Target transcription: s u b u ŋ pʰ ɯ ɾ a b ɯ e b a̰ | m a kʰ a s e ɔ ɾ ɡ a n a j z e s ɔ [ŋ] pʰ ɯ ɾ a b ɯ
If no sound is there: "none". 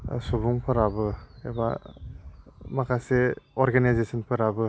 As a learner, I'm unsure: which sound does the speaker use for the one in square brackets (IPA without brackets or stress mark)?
n